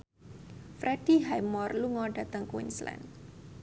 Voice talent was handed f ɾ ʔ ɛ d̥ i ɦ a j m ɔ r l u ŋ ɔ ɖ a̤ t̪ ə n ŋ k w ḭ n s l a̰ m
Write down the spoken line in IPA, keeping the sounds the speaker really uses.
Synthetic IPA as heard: f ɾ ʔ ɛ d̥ i ɦ a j m ɔ r l u ŋ ɔ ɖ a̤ t̪ ə ŋ k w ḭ n s l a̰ n